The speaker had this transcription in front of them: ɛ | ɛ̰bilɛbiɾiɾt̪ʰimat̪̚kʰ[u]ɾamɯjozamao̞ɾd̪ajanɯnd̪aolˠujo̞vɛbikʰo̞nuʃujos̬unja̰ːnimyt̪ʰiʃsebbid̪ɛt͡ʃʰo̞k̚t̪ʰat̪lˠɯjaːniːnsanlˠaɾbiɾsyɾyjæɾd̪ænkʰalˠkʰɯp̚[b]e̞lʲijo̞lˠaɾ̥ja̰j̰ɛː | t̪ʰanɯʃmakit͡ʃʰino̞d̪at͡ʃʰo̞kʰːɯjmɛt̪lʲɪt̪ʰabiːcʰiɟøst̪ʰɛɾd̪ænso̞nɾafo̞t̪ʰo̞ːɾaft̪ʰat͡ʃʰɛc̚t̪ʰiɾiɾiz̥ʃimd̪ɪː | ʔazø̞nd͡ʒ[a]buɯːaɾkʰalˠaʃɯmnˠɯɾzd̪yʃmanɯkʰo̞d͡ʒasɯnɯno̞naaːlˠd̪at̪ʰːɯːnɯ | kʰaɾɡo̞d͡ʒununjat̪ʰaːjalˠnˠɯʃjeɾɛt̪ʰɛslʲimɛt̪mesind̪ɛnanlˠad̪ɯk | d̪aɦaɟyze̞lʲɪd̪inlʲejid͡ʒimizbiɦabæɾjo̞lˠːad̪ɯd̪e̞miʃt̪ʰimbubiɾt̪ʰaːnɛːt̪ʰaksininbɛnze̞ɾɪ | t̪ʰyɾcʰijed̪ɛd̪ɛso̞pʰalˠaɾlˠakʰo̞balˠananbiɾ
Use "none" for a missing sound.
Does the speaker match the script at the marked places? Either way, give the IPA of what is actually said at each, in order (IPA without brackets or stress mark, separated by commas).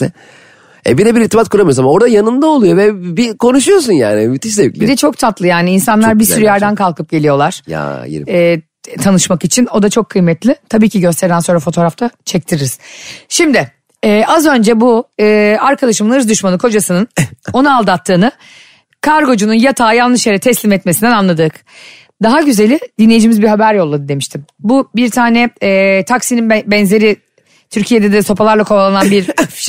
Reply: u, ɟ, ɛ